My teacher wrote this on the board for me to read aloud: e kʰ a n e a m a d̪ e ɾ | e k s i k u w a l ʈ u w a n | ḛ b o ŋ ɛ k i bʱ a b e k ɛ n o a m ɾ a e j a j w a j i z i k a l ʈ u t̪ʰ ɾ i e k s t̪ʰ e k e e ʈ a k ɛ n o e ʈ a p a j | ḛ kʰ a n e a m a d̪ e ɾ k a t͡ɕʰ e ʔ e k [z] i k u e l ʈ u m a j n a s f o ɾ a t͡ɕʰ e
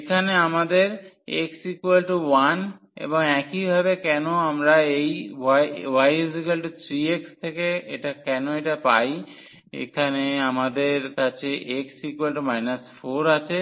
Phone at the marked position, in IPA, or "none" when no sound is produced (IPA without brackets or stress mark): s